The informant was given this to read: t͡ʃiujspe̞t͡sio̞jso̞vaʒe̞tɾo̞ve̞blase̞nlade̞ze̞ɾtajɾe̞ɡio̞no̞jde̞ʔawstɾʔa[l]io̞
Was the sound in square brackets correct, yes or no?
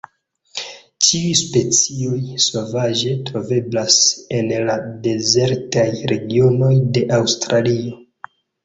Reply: yes